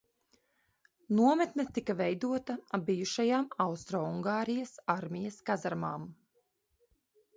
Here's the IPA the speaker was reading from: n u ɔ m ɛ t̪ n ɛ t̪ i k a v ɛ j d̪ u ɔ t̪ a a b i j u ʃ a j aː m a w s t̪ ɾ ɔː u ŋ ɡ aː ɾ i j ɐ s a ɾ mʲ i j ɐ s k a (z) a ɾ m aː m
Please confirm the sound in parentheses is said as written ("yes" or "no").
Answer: yes